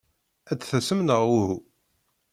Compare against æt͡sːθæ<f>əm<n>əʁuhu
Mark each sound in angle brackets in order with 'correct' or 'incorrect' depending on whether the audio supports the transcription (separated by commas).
incorrect, correct